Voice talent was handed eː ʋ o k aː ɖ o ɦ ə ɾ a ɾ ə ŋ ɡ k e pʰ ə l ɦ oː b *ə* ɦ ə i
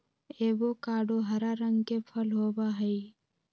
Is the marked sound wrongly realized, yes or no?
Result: yes